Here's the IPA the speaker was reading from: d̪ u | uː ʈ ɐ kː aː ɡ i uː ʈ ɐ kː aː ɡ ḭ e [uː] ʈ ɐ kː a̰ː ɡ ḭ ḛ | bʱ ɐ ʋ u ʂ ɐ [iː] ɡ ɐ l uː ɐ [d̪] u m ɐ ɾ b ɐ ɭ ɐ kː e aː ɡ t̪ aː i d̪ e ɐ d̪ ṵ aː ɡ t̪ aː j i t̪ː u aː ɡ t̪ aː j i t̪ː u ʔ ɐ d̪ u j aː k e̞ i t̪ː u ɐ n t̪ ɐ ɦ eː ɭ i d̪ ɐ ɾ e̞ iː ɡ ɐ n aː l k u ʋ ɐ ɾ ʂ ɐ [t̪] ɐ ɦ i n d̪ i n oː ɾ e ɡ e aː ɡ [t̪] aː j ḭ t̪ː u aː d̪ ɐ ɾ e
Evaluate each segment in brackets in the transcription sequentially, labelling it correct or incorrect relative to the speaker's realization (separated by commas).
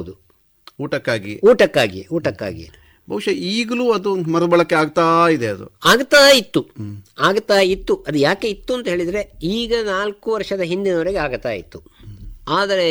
correct, correct, correct, incorrect, correct